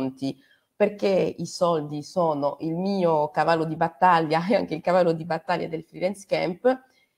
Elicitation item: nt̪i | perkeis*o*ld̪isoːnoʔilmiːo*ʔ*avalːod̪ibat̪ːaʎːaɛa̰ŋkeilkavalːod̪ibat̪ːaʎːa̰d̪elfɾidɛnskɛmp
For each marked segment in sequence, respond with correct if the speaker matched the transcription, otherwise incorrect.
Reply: incorrect: ɔ, incorrect: k

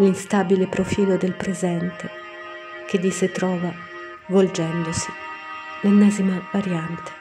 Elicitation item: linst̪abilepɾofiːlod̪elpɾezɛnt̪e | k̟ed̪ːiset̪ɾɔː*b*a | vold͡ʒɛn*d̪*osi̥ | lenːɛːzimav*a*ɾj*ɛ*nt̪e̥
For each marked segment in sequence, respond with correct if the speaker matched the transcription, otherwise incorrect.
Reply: incorrect: v, correct, correct, incorrect: a

